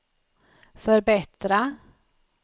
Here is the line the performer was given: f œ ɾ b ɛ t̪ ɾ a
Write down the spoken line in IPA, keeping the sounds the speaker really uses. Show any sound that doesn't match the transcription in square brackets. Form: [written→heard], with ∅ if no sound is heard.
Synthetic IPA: f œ ɾ b ɛ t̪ ɾ a